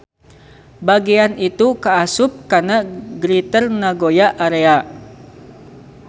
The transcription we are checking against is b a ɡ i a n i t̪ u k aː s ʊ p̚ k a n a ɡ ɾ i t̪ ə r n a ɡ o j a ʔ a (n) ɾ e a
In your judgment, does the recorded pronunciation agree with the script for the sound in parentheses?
no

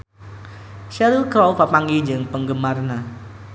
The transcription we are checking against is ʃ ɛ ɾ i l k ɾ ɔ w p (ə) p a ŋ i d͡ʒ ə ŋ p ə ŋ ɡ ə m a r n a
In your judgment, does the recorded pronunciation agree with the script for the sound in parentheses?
no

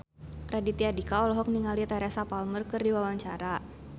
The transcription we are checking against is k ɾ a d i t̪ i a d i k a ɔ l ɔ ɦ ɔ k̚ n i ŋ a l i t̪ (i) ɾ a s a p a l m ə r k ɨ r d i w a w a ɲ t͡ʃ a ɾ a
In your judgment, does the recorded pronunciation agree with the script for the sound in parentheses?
no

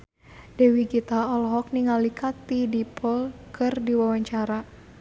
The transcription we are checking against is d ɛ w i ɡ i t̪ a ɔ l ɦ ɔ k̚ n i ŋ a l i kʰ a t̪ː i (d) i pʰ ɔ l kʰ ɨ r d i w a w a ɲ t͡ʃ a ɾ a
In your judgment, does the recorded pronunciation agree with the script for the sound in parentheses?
yes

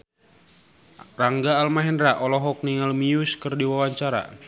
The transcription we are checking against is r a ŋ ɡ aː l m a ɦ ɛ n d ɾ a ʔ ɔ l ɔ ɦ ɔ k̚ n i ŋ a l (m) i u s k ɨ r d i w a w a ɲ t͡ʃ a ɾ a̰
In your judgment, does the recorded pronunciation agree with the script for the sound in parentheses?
yes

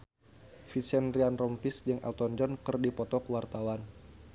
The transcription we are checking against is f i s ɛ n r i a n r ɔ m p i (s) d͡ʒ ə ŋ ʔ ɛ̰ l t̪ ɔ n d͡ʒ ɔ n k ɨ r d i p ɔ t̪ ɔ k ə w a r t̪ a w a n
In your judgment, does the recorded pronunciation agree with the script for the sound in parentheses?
yes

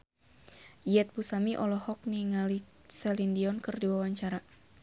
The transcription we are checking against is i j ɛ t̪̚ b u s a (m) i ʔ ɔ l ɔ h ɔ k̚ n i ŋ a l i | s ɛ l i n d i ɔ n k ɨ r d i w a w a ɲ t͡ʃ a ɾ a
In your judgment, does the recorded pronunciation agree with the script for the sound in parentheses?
yes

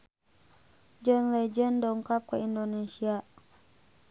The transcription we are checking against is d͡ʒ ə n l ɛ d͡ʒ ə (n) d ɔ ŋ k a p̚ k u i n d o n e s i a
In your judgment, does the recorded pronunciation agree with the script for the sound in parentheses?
yes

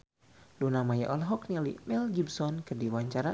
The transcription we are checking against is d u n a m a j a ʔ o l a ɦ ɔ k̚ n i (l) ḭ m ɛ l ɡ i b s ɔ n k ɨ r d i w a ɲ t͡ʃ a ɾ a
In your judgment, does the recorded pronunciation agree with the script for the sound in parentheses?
yes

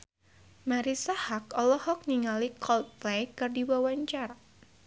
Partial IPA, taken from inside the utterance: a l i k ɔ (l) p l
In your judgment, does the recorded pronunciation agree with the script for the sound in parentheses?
yes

